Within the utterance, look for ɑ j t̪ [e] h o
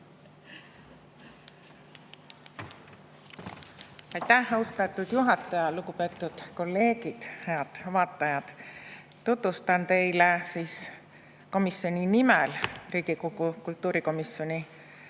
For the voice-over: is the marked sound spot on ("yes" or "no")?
no